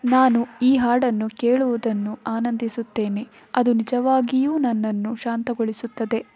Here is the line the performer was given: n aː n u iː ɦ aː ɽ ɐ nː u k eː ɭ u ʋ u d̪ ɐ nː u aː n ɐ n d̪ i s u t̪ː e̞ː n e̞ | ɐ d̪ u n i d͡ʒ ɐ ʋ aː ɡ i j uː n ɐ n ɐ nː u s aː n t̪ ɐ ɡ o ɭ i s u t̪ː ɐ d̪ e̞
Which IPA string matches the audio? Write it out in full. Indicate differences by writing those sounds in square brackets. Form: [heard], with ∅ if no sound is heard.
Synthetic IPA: n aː n u iː ɦ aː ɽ ɐ nː u k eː ɭ u ʋ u d̪ ɐ nː u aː n ɐ n d̪ i s u t̪ː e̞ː n e̞ | ɐ d̪ u n i d͡ʒ ɐ ʋ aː ɡ i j uː n ɐ [nː] ɐ nː u [ʃ] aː n t̪ ɐ ɡ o ɭ i s u t̪ː ɐ d̪ e̞